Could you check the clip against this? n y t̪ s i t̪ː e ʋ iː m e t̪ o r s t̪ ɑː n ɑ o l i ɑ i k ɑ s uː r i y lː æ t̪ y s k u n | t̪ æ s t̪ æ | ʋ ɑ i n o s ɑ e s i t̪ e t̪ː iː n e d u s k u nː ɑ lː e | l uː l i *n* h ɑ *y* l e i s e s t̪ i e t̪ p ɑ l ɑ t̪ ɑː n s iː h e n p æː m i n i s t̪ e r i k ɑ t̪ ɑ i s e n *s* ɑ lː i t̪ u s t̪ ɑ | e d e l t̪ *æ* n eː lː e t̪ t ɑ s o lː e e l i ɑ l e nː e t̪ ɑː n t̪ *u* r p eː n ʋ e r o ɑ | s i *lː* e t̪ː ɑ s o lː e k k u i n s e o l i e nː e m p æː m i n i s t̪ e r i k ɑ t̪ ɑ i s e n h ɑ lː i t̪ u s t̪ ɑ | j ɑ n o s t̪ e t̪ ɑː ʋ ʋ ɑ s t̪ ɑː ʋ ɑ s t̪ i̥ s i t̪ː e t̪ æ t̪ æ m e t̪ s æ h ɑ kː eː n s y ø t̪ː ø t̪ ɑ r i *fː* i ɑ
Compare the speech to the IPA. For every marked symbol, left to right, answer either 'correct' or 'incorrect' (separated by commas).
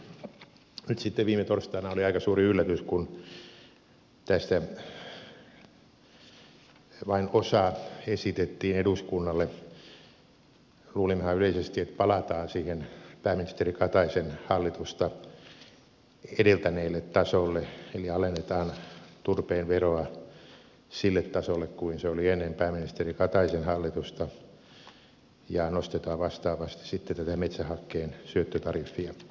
incorrect, correct, incorrect, correct, correct, correct, correct